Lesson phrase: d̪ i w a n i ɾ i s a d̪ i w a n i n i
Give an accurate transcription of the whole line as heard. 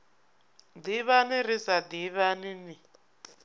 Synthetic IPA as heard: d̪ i β a n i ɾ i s a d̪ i β a n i n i